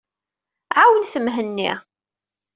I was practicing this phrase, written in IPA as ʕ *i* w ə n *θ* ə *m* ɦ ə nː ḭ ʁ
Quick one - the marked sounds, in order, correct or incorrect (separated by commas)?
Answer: incorrect, correct, correct